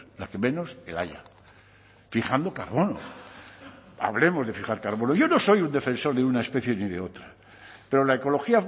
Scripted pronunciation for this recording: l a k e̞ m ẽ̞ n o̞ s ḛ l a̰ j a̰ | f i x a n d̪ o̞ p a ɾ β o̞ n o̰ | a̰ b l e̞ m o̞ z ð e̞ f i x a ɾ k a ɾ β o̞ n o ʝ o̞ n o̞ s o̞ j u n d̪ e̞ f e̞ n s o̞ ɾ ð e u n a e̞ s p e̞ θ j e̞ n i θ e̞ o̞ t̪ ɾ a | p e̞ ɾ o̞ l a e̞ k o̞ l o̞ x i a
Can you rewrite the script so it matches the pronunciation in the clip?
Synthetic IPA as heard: l a k e̞ m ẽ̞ n o̞ s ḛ l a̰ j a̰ | f i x a n d̪ o̞ k a ɾ β o̞ n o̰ | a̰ β l e̞ m o̞ z ð e̞ f i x a ɾ k a ɾ β o̞ n o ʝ o̞ n o̞ s o̞ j u n d̪ e̞ f e̞ n s o̞ ɾ ð e u n a e̞ s p e̞ θ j e̞ n i ð e̞ o̞ t̪ ɾ a | p e̞ ɾ o̞ l a e̞ k o̞ l o̞ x i a